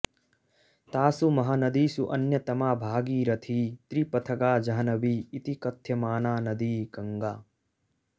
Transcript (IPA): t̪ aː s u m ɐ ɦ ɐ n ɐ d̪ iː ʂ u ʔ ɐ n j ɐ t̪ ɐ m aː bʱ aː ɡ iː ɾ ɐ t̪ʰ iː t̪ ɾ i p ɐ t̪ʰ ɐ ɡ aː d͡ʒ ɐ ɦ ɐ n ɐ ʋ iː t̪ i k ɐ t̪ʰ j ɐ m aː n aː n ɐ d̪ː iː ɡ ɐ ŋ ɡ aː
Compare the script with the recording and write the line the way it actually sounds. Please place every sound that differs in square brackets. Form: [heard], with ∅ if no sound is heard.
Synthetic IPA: t̪ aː s u m ɐ ɦ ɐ n ɐ d̪ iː [s] u ʔ ɐ n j ɐ t̪ ɐ m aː bʱ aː ɡ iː ɾ ɐ t̪ʰ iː t̪ ɾ i p ɐ t̪ʰ ɐ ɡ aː d͡ʒ ɐ ɦ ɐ n ɐ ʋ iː t̪ i k ɐ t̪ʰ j ɐ m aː n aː n ɐ [d̪] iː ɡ ɐ ŋ ɡ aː